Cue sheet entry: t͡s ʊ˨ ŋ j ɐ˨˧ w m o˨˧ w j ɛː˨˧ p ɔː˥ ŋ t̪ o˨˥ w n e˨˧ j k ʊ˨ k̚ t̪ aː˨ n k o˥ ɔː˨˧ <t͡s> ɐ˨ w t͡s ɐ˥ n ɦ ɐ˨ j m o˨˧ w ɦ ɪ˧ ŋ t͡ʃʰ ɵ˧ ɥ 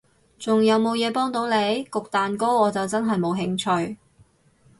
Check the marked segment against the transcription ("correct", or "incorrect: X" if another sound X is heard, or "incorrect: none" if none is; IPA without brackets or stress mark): correct